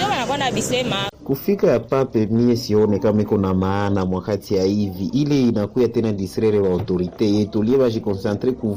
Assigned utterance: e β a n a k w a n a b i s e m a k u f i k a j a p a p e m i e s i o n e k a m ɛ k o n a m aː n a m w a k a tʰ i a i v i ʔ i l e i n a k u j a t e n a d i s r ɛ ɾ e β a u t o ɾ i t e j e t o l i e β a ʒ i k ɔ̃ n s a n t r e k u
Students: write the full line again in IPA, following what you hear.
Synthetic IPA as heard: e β a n a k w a n a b i s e m a k u f i k a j a p a p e m i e s i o n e k a m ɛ k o n a m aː n a m w a k a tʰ i a i v i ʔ i l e i n a k u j a t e n a d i s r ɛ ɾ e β a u t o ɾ i t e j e t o l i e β a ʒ i k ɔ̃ n s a n t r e k u